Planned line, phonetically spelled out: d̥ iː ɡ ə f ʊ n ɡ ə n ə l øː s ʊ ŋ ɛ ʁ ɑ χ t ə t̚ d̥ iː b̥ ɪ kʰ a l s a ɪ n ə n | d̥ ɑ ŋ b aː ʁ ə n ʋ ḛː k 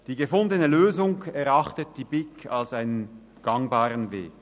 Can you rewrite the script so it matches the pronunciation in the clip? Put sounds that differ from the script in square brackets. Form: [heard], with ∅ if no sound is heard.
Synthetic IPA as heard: d̥ iː ɡ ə f ʊ n [d] ə n ə l øː [z] ʊ ŋ ɛ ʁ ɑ χ t ə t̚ d̥ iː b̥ ɪ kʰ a l s a ɪ n ə n | [ɡ̥] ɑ ŋ b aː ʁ ə n [v] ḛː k